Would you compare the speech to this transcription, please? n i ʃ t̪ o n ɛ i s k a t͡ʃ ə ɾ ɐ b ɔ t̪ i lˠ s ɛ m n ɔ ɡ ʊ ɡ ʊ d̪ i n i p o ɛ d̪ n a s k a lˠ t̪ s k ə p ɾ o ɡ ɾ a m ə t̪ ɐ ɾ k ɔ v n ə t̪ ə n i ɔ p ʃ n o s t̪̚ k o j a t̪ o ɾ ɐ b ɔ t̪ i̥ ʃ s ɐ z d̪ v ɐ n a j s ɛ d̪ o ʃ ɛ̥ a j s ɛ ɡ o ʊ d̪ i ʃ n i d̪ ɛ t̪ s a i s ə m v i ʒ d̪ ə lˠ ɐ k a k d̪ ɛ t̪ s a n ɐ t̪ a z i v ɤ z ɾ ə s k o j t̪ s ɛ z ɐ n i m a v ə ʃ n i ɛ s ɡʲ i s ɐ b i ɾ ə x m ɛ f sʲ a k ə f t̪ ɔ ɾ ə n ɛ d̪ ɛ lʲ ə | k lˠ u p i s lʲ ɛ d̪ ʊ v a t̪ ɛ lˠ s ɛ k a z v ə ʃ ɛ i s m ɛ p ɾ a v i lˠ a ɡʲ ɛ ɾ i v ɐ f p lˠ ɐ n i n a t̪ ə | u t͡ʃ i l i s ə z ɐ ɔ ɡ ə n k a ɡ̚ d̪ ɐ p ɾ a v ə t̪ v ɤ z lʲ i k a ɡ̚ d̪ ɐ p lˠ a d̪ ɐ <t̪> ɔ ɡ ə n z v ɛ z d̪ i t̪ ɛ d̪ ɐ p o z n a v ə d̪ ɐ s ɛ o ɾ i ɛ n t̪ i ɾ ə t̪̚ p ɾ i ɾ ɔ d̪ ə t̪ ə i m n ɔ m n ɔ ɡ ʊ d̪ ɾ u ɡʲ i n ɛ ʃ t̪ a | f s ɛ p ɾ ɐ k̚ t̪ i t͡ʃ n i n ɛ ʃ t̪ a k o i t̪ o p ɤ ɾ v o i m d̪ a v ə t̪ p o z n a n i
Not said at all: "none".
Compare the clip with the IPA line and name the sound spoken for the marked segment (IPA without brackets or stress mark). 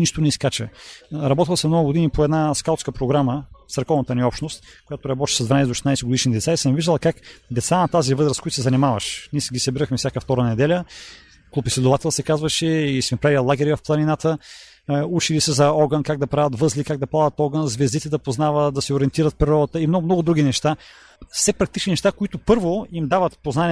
t̪